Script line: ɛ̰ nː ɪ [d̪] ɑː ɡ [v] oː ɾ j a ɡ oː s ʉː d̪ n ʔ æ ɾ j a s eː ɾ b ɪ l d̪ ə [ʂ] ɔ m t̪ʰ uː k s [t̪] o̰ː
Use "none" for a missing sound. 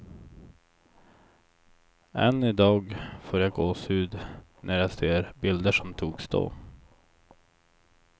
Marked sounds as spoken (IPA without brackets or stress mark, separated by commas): d̪, f, ʂ, d̪